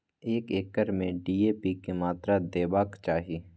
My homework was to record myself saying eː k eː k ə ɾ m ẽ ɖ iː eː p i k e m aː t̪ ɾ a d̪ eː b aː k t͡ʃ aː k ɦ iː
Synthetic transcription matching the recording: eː k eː k ə ɾ m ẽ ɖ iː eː p i k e m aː t̪ ɾ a d̪ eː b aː k t͡ʃ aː ɦ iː